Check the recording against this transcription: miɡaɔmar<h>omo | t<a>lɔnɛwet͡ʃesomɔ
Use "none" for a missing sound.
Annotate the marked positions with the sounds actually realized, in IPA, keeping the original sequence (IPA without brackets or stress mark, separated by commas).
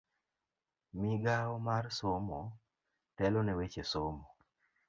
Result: s, ɛ